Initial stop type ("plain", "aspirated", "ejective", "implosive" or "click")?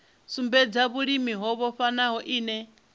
plain